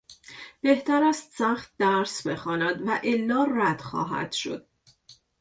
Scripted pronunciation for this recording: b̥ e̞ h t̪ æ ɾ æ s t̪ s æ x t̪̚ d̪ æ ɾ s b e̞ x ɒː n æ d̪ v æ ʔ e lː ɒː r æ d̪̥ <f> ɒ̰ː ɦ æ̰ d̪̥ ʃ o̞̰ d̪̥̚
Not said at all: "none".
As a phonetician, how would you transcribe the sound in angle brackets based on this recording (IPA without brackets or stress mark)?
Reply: x